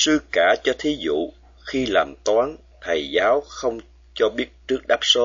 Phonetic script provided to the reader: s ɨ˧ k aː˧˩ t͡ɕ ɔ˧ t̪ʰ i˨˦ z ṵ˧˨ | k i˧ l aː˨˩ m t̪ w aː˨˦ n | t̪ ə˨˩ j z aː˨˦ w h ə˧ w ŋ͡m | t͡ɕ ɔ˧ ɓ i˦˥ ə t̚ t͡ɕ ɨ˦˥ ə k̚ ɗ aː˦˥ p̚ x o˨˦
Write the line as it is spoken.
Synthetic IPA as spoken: s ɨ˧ k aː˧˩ t͡ɕ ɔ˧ t̪ʰ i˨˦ z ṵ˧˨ | x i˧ l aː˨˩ m t̪ w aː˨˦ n | t̪ʰ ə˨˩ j z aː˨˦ w x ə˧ w ŋ͡m | t͡ɕ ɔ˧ ɓ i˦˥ ə t̚ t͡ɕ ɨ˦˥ ə k̚ ɗ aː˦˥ p̚ s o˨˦